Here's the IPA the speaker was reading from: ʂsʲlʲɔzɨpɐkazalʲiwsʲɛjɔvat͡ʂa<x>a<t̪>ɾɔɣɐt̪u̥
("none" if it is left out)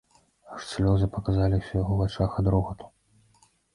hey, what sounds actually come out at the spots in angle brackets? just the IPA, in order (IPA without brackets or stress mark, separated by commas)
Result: x, d̪